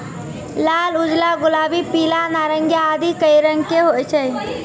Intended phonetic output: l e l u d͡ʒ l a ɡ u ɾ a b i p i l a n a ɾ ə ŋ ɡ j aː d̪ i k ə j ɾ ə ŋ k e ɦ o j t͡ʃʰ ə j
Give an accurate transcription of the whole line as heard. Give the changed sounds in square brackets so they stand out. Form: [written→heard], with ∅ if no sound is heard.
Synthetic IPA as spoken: l [e→a] l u d͡ʒ l a ɡ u [ɾ→l] a b i p i l a n a ɾ ə ŋ ɡ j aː d̪ i k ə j ɾ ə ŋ k e ɦ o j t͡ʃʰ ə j